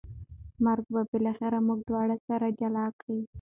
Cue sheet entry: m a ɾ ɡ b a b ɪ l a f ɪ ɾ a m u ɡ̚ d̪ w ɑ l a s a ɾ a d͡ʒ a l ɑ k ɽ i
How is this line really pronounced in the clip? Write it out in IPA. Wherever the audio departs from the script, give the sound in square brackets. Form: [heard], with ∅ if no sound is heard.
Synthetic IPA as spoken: m a ɾ ɡ b a b ɪ l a [x] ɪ ɾ a m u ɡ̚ d̪ w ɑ [ɽ] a s a ɾ a d͡ʒ a l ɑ k ɽ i